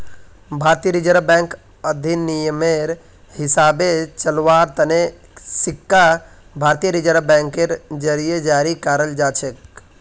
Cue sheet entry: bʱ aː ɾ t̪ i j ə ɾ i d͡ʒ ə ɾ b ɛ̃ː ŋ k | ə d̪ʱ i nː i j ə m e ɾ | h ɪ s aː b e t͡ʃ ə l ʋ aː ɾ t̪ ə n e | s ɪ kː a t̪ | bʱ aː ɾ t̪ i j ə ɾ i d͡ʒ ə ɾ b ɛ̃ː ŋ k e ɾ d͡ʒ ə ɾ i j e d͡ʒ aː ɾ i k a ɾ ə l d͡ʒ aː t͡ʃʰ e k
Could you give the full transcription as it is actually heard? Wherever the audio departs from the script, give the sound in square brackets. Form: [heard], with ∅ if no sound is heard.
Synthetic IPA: bʱ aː ɾ t̪ i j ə ɾ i d͡ʒ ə ɾ b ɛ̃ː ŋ k | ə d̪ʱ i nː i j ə m e ɾ | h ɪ s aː b e t͡ʃ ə l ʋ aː ɾ t̪ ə n e | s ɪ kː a [∅] | bʱ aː ɾ t̪ i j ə ɾ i d͡ʒ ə ɾ b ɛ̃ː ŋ k e ɾ d͡ʒ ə ɾ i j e d͡ʒ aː ɾ i k a ɾ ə l d͡ʒ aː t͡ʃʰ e k